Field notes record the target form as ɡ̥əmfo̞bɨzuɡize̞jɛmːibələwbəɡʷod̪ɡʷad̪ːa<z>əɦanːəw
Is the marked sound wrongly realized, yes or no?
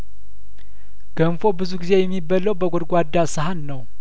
yes